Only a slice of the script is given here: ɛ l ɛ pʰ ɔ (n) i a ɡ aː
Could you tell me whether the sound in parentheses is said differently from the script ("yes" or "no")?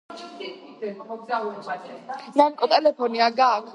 no